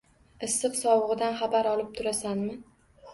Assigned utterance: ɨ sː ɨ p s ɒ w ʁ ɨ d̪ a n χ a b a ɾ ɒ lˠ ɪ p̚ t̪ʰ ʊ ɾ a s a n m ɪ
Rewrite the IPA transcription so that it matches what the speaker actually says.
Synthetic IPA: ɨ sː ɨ q s ɒ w ʁ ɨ d̪ a n χ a b a ɾ ɒ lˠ ɪ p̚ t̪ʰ ʊ ɾ a s a n m ɪ